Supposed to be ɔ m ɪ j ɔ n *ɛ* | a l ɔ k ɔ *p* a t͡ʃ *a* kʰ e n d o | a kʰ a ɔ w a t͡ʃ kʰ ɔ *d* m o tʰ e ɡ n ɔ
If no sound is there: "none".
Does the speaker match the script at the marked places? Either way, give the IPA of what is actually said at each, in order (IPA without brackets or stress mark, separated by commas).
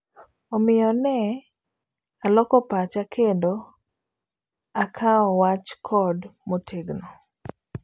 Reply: ɛ, p, a, d